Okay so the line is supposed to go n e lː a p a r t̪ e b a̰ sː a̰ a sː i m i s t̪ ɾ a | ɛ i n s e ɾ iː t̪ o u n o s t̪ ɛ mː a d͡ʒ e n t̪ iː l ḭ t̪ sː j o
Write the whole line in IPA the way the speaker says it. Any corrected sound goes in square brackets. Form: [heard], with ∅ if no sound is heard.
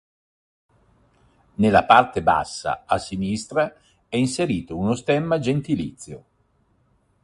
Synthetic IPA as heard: n e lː a p a r t̪ e b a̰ sː a̰ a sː i [n] i s t̪ ɾ a | ɛ i n s e ɾ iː t̪ o u n o s t̪ ɛ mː a d͡ʒ e n t̪ [i] l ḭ t̪ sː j o